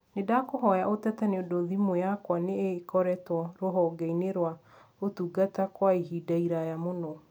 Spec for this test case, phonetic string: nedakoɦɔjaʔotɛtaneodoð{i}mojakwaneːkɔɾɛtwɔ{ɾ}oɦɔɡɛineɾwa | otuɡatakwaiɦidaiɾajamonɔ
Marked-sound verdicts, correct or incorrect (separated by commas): correct, correct